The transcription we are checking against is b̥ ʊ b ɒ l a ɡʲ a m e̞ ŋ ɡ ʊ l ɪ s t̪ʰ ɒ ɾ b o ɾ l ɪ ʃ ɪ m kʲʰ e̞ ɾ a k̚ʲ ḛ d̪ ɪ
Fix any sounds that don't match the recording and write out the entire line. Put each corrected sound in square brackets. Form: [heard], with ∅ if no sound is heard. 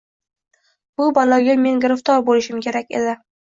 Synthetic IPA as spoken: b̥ ʊ b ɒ l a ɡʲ a m e̞ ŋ ɡ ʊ [ɾ] ɪ [f] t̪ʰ ɒ ɾ b o [∅] l ɪ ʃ ɪ m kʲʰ e̞ ɾ a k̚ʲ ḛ d̪ ɪ